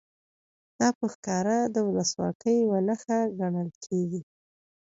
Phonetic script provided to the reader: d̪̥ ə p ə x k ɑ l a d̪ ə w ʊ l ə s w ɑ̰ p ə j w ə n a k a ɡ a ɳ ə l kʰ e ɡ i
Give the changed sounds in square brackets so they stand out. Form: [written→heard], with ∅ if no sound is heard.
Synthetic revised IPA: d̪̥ [ə→ɑ] p ə x k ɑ [l→ɾ] a d̪ ə w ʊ l ə s w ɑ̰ [p→k] ə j w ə n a [k→x] a ɡ a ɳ ə l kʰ e ɡ i